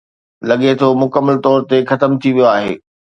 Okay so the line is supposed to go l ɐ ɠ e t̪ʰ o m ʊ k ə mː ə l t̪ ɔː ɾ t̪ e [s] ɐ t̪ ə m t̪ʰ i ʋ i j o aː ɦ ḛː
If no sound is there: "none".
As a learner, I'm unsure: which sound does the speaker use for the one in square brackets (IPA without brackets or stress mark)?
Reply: x